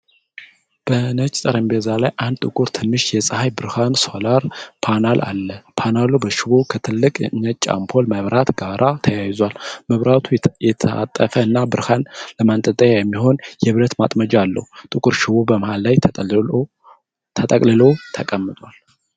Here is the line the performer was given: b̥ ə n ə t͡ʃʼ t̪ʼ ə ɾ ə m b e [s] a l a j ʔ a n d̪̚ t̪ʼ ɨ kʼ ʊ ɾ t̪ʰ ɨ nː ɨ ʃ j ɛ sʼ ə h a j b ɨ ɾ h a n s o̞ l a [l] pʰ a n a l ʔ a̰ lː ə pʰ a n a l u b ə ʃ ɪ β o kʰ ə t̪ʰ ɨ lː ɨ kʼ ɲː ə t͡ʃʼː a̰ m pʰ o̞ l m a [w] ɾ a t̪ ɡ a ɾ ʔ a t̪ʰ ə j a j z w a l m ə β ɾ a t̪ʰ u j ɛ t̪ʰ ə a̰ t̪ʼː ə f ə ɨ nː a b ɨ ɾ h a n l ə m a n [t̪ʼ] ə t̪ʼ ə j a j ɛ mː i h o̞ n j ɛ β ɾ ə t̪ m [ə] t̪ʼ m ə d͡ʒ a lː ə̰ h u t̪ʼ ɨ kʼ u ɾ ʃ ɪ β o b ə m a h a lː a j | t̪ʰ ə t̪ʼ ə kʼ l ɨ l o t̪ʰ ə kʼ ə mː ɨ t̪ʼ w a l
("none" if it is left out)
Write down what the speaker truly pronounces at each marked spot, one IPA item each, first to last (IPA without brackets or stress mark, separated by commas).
z, ɾ, β, t̪ʼ, a